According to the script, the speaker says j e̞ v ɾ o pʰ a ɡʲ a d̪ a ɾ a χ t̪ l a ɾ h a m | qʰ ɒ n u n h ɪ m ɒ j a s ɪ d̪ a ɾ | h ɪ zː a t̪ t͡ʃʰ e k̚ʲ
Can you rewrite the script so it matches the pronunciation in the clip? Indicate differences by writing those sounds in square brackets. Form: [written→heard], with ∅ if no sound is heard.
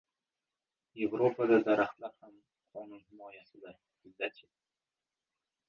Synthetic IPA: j e̞ v ɾ o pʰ a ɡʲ a d̪ a ɾ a χ t̪ l a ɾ h a m | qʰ ɒ n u n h ɪ m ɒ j a s ɪ d̪ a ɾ | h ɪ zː a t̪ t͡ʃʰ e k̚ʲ